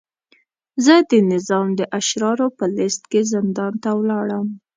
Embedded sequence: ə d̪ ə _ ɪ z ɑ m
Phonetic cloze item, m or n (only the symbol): n